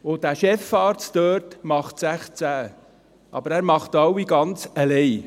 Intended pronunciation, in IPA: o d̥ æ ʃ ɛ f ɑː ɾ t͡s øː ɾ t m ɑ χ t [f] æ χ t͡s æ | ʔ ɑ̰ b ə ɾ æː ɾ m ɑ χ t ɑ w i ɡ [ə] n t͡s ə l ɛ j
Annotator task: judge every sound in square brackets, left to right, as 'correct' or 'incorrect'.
incorrect, incorrect

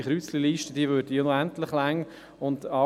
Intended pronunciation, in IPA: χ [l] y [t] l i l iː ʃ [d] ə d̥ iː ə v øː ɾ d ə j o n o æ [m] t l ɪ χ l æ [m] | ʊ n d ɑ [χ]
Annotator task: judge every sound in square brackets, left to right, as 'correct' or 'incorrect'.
incorrect, incorrect, incorrect, incorrect, incorrect, incorrect

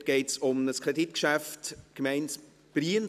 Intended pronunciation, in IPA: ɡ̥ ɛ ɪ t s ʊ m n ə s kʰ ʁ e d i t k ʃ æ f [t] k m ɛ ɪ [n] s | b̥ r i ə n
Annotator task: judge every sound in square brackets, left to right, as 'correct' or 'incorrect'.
correct, correct

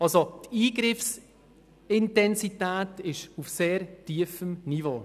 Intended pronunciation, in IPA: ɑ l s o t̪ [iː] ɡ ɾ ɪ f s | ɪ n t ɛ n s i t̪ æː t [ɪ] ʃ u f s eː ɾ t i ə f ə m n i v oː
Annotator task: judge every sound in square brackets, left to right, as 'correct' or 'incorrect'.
correct, correct

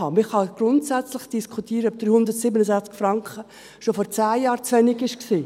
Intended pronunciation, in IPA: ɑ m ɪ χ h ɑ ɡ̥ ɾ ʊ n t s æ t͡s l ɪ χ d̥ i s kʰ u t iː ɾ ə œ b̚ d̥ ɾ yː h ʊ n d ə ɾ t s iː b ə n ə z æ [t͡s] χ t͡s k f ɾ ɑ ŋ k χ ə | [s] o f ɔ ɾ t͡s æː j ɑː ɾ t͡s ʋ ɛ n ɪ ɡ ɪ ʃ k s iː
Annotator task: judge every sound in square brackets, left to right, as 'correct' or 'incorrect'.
incorrect, incorrect

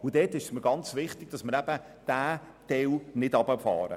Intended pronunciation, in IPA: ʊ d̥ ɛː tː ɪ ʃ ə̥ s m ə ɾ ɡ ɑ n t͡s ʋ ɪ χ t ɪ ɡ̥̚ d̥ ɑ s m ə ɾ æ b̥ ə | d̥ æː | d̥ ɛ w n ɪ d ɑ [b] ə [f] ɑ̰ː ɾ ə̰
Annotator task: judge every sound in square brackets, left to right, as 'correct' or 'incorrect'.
correct, correct

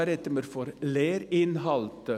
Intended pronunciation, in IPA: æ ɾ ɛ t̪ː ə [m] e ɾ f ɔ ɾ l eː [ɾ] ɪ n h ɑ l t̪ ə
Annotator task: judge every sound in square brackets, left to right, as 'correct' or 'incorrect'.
correct, correct

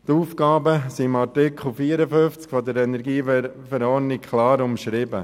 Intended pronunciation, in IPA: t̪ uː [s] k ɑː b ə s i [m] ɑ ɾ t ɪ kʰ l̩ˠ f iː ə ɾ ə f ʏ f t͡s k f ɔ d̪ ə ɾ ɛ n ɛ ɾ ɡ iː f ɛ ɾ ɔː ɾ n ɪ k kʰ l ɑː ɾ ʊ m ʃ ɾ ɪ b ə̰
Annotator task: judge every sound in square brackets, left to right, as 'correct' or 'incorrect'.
incorrect, correct

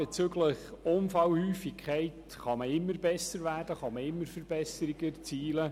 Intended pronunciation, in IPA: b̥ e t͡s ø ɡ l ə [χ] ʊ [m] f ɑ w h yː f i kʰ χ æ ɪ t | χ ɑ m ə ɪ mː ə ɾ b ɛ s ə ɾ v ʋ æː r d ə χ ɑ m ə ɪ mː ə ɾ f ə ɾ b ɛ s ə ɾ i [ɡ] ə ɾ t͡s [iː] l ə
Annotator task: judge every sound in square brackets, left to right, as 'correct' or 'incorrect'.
correct, incorrect, correct, correct

